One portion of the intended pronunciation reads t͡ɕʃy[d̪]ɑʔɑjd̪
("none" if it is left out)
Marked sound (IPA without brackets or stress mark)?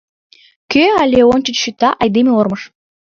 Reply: t̪